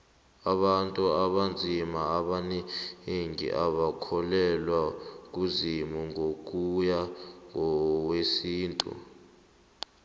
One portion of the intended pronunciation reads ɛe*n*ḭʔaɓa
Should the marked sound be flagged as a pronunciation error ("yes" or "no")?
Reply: yes